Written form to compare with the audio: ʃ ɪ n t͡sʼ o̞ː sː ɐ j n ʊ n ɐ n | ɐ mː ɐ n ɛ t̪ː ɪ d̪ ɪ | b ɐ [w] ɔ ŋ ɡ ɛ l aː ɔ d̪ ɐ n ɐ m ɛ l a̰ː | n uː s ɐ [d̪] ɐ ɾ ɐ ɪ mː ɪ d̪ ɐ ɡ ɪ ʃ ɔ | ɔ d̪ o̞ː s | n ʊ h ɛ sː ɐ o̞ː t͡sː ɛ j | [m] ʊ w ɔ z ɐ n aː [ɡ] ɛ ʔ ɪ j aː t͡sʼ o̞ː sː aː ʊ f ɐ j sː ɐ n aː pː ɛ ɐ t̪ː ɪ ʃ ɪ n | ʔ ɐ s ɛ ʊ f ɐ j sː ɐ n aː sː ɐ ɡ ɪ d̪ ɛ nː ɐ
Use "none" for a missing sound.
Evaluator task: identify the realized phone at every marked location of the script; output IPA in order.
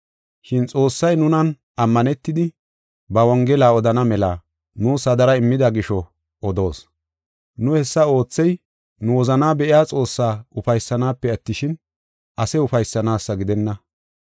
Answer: w, d̪, n, b

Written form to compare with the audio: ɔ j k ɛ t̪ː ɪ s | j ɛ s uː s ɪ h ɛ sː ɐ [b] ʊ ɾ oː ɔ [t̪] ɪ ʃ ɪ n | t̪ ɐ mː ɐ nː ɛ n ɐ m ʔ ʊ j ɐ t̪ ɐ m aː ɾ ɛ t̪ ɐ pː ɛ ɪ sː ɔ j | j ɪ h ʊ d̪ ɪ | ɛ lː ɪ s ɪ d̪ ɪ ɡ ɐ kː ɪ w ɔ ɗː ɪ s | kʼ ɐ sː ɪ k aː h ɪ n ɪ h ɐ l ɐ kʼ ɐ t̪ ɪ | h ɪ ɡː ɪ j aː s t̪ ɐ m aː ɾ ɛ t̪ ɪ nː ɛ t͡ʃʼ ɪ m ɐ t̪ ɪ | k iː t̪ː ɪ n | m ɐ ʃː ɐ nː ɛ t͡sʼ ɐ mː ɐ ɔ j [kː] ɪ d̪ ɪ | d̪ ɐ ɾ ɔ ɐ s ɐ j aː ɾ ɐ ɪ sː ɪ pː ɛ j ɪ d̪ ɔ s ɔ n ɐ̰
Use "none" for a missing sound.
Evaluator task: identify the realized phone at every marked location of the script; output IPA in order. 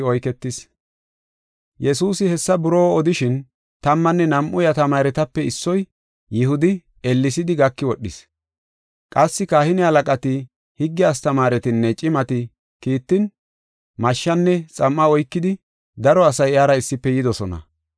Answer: b, d̪, kː

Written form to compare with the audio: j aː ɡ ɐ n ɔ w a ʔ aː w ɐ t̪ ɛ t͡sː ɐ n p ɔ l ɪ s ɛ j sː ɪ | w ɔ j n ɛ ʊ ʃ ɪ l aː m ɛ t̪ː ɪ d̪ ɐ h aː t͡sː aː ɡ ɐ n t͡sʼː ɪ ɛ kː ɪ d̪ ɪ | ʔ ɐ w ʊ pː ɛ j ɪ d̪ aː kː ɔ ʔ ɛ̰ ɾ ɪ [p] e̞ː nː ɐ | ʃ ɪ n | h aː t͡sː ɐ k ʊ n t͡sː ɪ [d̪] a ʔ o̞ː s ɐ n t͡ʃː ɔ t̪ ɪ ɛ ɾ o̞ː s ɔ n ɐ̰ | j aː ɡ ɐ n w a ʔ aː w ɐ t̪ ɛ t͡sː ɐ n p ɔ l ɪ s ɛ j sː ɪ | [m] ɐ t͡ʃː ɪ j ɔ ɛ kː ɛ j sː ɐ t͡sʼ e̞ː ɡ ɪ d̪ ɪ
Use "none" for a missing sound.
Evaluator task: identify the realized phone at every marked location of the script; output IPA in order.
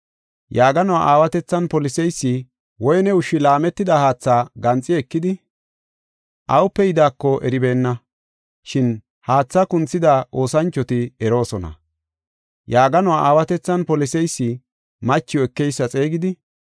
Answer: b, d̪, m

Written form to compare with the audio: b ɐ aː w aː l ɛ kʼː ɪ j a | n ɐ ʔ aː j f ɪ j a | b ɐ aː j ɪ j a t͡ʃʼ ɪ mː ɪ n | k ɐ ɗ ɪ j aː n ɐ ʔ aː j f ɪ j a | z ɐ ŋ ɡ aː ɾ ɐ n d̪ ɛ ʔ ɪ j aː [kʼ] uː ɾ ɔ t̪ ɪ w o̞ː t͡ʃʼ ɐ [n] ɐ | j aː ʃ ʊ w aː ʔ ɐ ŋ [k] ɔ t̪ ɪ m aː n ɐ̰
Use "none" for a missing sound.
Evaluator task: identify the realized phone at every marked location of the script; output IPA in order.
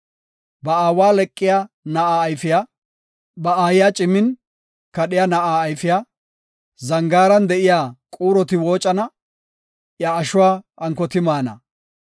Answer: kʼ, n, k

